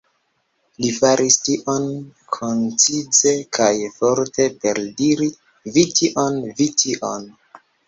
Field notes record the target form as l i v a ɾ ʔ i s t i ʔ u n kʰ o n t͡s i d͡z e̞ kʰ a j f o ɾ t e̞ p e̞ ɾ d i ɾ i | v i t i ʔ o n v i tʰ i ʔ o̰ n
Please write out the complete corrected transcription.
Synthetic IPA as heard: l i f a ɾ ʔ i s t i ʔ o n kʰ o n t͡s i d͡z e̞ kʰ a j f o ɾ t e̞ p e̞ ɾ d i ɾ i | v i t i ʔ o n v i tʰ i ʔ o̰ n

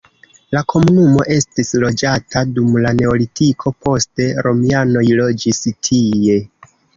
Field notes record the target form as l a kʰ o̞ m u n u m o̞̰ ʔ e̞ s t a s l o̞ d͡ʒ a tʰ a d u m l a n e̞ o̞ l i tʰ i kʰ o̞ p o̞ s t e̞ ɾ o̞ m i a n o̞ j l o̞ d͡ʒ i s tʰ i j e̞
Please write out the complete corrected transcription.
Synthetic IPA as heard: l a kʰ o̞ m u n u m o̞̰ ʔ e̞ s t i s l o̞ d͡ʒ a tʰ a d u m l a n e̞ o̞ l i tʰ i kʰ o̞ p o̞ s t e̞ ɾ o̞ m i a n o̞ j l o̞ d͡ʒ i s tʰ i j e̞

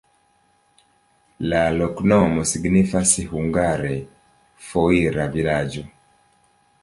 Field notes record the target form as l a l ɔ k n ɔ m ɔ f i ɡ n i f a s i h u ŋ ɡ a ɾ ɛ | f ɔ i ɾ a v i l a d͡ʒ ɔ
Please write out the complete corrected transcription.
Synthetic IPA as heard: l a l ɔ k n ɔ m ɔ s i ɡ n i f a s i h u ŋ ɡ a ɾ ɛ | f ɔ i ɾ a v i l a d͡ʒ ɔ

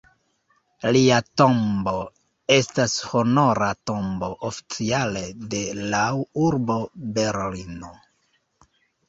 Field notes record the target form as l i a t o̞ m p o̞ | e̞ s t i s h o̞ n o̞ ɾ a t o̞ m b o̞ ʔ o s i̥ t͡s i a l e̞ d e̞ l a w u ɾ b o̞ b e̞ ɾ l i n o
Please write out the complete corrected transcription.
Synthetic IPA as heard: l i a t o̞ m b o̞ | e̞ s t a s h o̞ n o̞ ɾ a t o̞ m b o̞ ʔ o f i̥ t͡s i a l e̞ d e̞ l a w u ɾ b o̞ b e̞ ɾ l i n o

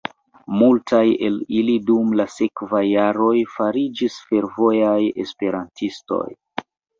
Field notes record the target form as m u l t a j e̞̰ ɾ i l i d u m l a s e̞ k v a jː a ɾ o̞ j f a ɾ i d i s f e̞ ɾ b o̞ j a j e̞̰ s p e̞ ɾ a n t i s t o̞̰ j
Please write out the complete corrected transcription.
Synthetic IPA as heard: m u l t a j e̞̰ l i l i d u m l a s e̞ k v a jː a ɾ o̞ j f a ɾ i d͡ʒ i s f e̞ ɾ v o̞ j a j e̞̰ s p e̞ ɾ a n t i s t o̞̰ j

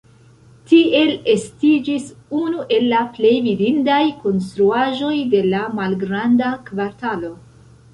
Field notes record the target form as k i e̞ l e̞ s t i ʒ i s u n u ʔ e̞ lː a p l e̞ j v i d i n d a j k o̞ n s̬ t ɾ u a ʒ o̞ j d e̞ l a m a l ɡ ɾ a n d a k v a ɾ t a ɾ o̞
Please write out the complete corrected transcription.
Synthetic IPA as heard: t i e̞ l e̞ s t i d͡ʒ i s u n u ʔ e̞ lː a p l e̞ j v i d i n d a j k o̞ n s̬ t ɾ u a ʒ o̞ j d e̞ l a m a l ɡ ɾ a n d a k v a ɾ t a l o̞

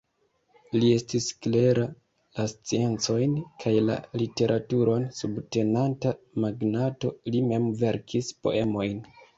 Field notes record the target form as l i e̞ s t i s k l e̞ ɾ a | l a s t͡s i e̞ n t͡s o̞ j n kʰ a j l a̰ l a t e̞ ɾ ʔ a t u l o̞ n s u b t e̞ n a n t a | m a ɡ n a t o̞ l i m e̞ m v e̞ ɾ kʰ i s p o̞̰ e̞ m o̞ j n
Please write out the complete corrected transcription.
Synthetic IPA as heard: l i e̞ s t i s k l e̞ ɾ a | l a s t͡s i e̞ n t͡s o̞ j n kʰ a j l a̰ l i t e̞ ɾ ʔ a t u ɾ o̞ n s u b t e̞ n a n t a | m a ɡ n a t o̞ l i m e̞ m v e̞ ɾ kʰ i s p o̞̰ e̞ m o̞ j n

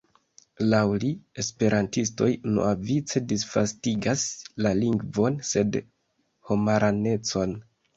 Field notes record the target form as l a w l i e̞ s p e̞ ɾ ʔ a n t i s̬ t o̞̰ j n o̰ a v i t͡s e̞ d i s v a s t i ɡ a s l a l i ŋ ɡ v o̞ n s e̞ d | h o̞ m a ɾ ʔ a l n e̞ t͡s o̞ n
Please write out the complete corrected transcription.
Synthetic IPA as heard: l a w l i e̞ s p e̞ ɾ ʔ a n t i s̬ t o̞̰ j n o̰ a v i t͡s e̞ d i s f a s t i ɡ a s l a l i ŋ ɡ v o̞ n s e̞ d | h o̞ m a ɾ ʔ a n e̞ t͡s o̞ n

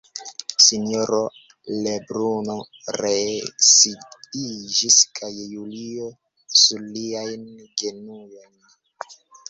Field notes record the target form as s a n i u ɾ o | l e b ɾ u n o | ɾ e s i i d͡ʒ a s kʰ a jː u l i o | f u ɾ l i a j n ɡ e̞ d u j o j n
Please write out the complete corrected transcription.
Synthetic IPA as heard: s i n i o ɾ o | l e b ɾ u n o | ɾ e s i i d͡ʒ i s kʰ a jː u l i o | s u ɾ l i a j n ɡ e̞ n u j o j n

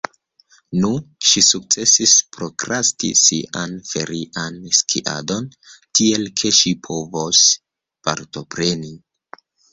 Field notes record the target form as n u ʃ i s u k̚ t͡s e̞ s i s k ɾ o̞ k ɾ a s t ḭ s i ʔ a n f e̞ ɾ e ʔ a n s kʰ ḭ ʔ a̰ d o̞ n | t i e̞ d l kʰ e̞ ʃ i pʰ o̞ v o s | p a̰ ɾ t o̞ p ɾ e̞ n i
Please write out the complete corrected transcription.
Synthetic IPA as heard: n u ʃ i s u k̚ t͡s e̞ s i s p ɾ o̞ k ɾ a s t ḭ s i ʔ a n f e̞ ɾ i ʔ a n s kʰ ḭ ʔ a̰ d o̞ n | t i e̞ l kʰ e̞ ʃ i pʰ o̞ v o s | p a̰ ɾ t o̞ p ɾ e̞ n i

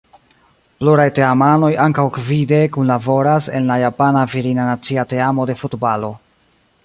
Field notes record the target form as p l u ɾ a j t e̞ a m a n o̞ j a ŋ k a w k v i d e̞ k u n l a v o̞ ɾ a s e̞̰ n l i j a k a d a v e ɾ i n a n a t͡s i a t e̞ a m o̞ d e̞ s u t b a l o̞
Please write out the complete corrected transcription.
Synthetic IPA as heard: p l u ɾ a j t e̞ a m a n o̞ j a ŋ k a w k v i d e̞ k u n l a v o̞ ɾ a s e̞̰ n l a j a p a n a v i ɾ i n a n a t͡s i a t e̞ a m o̞ d e̞ f u t b a l o̞

